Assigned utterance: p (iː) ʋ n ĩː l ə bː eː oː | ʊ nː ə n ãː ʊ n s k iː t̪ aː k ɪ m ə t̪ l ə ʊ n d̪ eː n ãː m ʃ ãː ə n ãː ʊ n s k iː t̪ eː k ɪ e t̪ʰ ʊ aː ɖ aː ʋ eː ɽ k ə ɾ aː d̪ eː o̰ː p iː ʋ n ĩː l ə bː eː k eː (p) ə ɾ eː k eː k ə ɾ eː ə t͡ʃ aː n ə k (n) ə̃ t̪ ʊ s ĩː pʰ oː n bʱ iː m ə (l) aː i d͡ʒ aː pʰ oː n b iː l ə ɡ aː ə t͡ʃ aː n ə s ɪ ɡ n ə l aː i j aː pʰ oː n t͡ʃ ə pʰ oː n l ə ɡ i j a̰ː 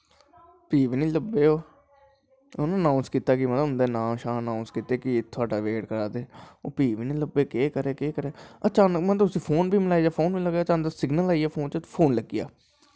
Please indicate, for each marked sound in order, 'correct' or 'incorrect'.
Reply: correct, incorrect: k, incorrect: m, correct

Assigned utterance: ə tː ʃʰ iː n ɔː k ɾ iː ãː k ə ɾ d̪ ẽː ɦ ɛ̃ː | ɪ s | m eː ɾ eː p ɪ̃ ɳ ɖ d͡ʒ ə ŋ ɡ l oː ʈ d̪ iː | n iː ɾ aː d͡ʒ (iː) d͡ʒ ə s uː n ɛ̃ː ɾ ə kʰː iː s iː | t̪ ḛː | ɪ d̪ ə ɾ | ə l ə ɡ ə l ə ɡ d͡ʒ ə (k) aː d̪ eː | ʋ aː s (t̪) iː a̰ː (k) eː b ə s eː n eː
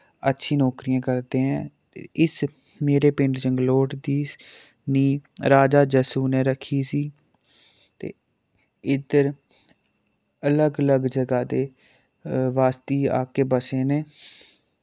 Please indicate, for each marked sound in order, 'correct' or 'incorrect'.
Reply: incorrect: aː, incorrect: ɡ, correct, correct

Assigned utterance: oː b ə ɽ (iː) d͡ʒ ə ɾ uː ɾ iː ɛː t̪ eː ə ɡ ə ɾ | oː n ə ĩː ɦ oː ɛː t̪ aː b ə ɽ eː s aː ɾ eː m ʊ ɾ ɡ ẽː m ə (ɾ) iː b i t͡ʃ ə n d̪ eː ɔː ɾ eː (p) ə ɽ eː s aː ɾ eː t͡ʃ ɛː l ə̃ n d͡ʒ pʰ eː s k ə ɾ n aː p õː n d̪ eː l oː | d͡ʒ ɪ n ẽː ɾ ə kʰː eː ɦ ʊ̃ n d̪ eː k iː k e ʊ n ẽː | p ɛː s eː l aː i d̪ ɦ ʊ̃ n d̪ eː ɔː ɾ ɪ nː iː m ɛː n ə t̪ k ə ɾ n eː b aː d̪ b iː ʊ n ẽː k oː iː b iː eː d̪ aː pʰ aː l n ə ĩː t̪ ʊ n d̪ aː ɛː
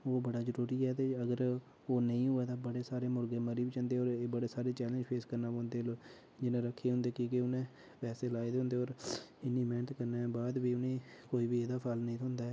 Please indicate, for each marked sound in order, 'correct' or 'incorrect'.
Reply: incorrect: aː, correct, incorrect: b

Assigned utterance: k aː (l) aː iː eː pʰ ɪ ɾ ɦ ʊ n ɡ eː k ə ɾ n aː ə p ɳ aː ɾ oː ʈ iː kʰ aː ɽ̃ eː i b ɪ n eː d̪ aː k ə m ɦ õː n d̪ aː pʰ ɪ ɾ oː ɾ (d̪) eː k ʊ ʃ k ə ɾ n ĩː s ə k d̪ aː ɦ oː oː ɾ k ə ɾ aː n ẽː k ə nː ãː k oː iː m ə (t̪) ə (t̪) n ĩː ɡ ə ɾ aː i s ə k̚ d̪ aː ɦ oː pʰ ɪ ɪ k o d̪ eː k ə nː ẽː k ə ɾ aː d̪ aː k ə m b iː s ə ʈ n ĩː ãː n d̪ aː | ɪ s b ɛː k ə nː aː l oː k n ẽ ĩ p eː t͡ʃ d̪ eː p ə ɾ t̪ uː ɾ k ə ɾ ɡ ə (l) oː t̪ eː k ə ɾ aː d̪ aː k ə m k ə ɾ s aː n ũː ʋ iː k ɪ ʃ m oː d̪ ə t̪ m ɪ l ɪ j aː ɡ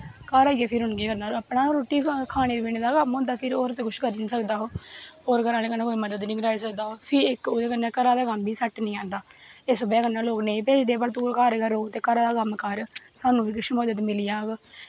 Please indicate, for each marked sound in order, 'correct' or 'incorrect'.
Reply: incorrect: ɾ, incorrect: t̪, incorrect: d̪, incorrect: d̪, incorrect: ɾ

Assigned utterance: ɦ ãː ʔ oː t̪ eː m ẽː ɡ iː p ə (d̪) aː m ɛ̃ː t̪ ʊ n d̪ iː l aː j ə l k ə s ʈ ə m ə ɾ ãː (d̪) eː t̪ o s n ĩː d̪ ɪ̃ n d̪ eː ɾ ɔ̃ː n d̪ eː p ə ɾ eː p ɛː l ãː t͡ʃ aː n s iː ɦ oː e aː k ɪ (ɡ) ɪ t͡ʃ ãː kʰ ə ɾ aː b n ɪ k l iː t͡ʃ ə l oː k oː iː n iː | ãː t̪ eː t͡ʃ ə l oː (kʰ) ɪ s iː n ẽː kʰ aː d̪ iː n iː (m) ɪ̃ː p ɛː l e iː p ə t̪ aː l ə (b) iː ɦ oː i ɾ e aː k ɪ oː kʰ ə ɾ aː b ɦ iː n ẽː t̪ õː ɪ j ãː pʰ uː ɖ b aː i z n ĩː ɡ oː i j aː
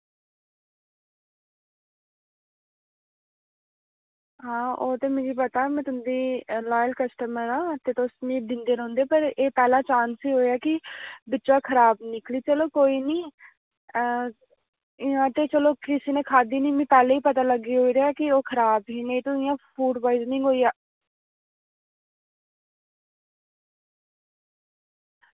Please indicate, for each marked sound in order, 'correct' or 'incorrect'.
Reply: incorrect: t̪, incorrect: t̪, incorrect: b, incorrect: k, correct, incorrect: ɡ

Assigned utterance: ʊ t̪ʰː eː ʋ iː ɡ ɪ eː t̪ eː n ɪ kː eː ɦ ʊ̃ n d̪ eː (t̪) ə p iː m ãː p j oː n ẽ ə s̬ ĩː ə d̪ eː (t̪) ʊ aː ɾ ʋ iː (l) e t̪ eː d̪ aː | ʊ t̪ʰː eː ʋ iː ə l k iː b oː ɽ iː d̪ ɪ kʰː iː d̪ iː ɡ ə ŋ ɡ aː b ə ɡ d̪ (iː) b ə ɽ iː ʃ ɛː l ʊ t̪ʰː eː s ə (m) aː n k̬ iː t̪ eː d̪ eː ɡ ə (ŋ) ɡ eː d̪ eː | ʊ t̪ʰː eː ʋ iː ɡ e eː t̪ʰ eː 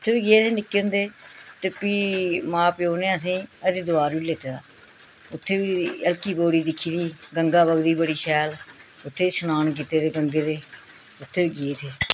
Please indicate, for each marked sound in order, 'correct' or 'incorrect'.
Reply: correct, incorrect: d̪, correct, correct, incorrect: n, correct

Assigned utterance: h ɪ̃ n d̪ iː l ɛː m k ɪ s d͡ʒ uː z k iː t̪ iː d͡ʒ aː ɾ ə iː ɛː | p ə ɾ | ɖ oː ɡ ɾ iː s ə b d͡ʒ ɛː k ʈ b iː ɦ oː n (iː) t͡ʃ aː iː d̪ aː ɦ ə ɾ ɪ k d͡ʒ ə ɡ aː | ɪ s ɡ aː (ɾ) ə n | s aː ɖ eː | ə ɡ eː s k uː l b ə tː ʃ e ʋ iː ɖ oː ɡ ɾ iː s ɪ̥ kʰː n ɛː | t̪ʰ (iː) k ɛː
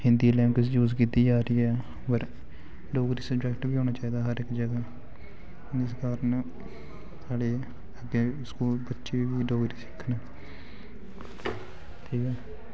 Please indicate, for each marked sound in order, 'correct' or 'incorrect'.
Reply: incorrect: aː, correct, correct

